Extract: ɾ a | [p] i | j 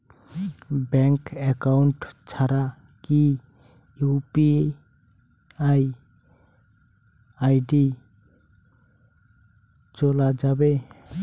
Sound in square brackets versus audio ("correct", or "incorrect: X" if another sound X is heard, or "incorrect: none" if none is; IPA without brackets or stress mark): incorrect: k